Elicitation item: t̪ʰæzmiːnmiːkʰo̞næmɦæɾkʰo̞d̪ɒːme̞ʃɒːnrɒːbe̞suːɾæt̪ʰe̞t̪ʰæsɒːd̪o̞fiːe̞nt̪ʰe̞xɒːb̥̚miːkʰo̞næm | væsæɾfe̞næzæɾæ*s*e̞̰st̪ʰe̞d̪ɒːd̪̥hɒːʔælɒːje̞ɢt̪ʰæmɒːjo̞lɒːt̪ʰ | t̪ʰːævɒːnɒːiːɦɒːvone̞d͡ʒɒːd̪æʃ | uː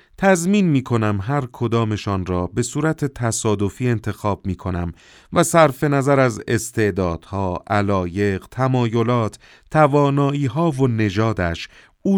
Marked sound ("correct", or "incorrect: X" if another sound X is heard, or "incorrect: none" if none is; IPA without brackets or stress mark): incorrect: z